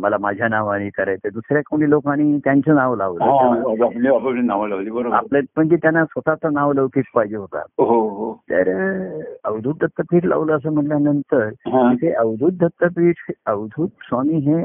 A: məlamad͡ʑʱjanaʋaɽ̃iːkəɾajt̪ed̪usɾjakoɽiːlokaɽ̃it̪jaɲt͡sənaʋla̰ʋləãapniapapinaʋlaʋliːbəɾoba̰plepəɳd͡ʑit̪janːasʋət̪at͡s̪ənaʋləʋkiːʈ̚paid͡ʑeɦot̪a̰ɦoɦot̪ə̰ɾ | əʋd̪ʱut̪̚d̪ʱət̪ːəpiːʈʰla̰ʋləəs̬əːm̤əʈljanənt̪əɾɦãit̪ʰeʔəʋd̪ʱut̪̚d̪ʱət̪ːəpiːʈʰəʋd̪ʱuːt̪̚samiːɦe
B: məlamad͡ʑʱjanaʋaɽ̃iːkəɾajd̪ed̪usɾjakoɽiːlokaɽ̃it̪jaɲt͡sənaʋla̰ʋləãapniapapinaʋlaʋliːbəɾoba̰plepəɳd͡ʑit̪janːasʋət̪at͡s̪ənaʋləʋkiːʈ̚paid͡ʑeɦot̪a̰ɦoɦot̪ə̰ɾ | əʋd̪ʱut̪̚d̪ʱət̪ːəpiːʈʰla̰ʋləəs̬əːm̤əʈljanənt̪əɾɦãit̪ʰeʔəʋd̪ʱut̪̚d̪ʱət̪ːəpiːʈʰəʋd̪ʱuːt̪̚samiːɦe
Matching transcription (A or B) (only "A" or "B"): A